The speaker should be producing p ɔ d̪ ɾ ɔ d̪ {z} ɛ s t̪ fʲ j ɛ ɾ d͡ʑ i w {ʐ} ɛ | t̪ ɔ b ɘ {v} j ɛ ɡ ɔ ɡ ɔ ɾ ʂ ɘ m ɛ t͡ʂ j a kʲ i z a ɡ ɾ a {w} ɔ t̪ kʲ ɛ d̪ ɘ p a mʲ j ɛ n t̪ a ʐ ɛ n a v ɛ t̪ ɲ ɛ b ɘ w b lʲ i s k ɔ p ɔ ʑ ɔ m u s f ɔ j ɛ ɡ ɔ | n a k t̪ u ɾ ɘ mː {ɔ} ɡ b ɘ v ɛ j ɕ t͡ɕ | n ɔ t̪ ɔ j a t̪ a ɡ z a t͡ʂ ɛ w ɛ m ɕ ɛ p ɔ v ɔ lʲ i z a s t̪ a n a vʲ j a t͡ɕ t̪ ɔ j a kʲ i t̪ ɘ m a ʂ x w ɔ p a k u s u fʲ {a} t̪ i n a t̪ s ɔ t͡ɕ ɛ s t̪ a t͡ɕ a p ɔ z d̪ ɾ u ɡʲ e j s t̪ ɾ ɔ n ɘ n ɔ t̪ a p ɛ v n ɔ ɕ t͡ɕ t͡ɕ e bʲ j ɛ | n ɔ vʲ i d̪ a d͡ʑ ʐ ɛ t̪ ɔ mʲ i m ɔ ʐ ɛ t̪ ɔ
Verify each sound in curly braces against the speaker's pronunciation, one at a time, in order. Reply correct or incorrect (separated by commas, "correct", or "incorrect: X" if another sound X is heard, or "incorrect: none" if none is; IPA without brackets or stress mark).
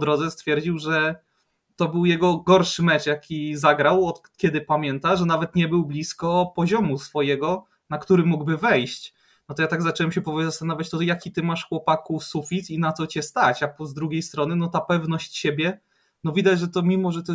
correct, correct, incorrect: w, correct, incorrect: u, incorrect: i